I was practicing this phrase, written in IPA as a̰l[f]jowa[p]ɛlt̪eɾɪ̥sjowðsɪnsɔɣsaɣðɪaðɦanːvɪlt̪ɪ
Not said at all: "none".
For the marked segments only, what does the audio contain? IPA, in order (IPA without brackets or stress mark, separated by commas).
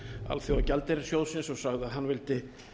θ, c